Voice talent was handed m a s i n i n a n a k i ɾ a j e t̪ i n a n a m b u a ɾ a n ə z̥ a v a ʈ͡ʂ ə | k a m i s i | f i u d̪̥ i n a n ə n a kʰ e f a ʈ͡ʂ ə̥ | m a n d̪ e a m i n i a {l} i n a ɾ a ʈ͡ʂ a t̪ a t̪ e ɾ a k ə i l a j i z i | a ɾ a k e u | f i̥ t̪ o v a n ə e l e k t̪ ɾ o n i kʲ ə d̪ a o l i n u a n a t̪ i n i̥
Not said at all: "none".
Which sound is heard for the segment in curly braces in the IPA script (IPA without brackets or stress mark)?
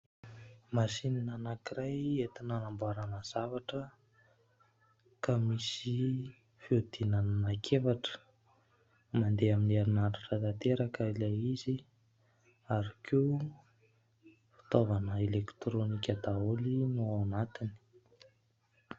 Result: ɾ